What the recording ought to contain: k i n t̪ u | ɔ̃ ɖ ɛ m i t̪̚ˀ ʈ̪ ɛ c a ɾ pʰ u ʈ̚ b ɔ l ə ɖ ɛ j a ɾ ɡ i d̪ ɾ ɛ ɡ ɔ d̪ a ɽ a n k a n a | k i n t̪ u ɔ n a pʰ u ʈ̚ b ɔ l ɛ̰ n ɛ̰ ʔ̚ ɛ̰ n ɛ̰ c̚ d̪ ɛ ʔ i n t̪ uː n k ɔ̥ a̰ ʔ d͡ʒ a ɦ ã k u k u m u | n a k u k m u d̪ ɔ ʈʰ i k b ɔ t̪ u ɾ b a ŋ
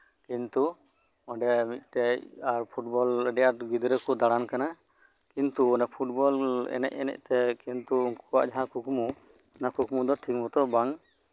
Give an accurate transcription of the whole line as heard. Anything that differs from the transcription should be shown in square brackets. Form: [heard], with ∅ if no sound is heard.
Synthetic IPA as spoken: k i n t̪ u | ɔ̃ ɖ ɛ m i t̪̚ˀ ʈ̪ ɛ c a ɾ pʰ u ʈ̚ b ɔ l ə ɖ ɛ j a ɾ ɡ i d̪ ɾ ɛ [k] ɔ d̪ a ɽ a n k a n a | k i n t̪ u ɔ n a pʰ u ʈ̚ b ɔ l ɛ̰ n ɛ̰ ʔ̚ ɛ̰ n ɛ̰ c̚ [t̪] ɛ [k] i n t̪ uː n k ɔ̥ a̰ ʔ d͡ʒ a ɦ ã k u k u m u | n a k u k m u d̪ ɔ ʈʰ i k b ɔ t̪ [ɔ] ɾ b a ŋ

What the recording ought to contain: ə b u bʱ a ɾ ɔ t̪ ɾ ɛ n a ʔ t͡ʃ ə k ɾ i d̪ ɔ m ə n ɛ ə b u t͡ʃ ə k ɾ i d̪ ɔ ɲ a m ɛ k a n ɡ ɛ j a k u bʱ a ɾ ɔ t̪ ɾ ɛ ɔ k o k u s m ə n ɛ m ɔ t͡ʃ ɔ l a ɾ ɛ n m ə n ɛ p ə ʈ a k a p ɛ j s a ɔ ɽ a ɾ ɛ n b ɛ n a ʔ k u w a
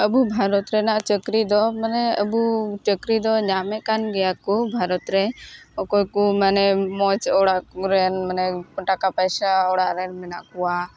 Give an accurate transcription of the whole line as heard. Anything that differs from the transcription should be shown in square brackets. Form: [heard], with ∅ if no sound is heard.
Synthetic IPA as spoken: ə b u bʱ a ɾ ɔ t̪ ɾ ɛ n a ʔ t͡ʃ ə k ɾ i d̪ ɔ m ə n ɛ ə b u t͡ʃ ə k ɾ i d̪ ɔ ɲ a m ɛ k a n ɡ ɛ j a k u bʱ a ɾ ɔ t̪ ɾ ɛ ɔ k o k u [∅] m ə n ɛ m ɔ t͡ʃ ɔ [ɽ] a ɾ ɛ n m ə n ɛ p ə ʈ a k a p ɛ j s a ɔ ɽ a ɾ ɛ n [m] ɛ n a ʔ k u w a

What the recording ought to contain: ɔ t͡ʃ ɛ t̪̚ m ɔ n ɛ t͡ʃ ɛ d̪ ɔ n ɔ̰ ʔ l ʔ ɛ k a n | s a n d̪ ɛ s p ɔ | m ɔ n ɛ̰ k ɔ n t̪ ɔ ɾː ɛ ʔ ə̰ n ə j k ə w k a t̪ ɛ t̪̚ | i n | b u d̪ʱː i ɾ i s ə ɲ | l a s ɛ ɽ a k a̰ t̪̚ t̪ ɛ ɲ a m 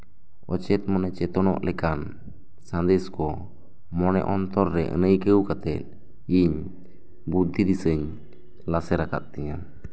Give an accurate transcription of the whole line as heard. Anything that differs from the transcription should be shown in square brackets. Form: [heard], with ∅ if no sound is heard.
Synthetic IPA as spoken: ɔ t͡ʃ ɛ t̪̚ m ɔ n ɛ t͡ʃ ɛ [t̪] ɔ n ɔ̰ ʔ l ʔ ɛ k a n | s a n d̪ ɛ s [k] ɔ | m ɔ n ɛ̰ [ʔ] ɔ n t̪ ɔ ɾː ɛ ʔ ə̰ n ə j k ə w k a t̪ ɛ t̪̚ | i [ɲ] | b u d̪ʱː i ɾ i s ə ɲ | l a s ɛ [ɾ] a k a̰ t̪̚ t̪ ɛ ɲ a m

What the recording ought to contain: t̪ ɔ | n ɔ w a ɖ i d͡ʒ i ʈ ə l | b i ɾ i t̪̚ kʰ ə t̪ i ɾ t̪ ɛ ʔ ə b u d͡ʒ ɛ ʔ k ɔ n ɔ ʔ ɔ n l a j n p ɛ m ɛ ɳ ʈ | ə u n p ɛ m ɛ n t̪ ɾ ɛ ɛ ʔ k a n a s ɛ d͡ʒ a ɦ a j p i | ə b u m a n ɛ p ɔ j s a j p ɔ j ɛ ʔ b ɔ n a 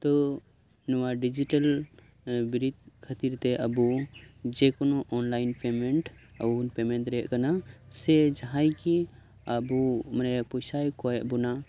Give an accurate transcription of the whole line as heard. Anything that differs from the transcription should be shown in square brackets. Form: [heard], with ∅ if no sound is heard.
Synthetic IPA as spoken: t̪ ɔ | n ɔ w a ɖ i d͡ʒ i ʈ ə l | b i ɾ i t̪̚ kʰ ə t̪ i ɾ t̪ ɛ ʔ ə b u d͡ʒ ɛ [∅] k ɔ n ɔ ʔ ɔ n l a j n p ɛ m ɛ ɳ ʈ | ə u n p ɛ m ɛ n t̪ ɾ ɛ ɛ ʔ k a n a s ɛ d͡ʒ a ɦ a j [k] i | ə b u m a n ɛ p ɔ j s a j [k] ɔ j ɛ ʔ b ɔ n a

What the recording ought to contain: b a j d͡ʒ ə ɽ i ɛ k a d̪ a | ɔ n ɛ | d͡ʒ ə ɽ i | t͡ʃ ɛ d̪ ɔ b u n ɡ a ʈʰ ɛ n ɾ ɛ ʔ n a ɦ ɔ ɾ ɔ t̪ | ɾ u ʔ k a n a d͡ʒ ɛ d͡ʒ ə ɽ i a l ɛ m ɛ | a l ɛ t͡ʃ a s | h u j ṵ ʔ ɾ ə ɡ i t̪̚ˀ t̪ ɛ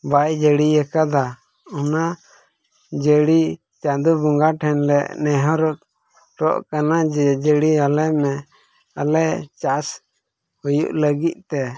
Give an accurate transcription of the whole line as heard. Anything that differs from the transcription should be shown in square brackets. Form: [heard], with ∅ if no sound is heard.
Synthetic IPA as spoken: b a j d͡ʒ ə ɽ i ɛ k a d̪ a | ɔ n [a] | d͡ʒ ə ɽ i | t͡ʃ [a] d̪ [u] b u [ŋ] ɡ a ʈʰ ɛ n [l] ɛ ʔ n [ɛ] ɦ ɔ ɾ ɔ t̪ | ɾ [ɔ] ʔ k a n a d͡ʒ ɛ d͡ʒ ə ɽ i a l ɛ m ɛ | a l ɛ t͡ʃ a s | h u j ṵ ʔ [l] ə ɡ i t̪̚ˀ t̪ ɛ

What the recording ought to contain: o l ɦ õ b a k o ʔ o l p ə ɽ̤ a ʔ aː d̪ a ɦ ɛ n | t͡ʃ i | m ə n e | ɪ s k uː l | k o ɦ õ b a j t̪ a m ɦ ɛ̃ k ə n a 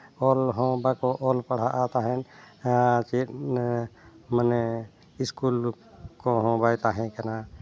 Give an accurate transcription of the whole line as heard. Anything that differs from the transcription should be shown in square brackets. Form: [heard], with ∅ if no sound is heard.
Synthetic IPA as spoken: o l ɦ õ b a k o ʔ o l p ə ɽ̤ a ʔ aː [t̪] a ɦ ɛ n | t͡ʃ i | m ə n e | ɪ s k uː l | k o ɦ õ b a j t̪ a [∅] ɦ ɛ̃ k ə n a

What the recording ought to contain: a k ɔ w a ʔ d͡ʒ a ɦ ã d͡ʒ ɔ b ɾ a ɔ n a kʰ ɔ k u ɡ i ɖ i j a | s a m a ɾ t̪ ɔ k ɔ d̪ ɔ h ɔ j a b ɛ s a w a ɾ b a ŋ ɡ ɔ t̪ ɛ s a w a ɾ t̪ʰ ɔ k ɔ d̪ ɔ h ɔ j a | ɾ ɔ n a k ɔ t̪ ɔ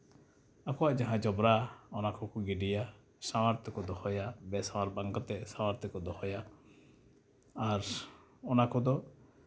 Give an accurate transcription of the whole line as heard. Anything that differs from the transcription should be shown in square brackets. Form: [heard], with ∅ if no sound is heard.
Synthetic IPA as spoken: a k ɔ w a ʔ d͡ʒ a ɦ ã d͡ʒ ɔ b ɾ a ɔ n a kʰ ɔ k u ɡ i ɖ i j a | s a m a ɾ t̪ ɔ k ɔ d̪ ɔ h ɔ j a b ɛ s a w a ɾ b a ŋ ɡ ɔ t̪ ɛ s a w a ɾ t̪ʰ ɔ k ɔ d̪ ɔ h ɔ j a | ɾ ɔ n a k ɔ [d̪] ɔ

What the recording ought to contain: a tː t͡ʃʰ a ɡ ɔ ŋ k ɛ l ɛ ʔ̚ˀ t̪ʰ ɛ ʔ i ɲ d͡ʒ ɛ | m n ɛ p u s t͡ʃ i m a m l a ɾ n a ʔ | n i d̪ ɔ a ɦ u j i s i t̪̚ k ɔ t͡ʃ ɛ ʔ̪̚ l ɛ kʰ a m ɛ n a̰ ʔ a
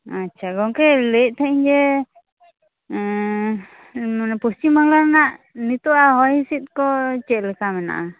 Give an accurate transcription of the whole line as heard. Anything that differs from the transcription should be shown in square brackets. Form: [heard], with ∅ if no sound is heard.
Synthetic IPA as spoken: a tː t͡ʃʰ a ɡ ɔ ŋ k ɛ l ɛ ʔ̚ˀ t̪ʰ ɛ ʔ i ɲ d͡ʒ ɛ | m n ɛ p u s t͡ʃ i m a [ŋ] l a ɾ n a ʔ | n i [t̪] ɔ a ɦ [ɔ] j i s i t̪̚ k ɔ t͡ʃ ɛ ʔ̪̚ l ɛ [k] a m ɛ n a̰ ʔ a

